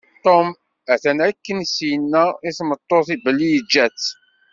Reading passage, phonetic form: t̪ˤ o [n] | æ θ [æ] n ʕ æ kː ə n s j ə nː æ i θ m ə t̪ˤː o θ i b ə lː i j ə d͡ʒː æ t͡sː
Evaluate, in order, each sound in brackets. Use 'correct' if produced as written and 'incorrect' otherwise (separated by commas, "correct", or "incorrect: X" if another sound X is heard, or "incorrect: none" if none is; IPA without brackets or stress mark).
incorrect: m, correct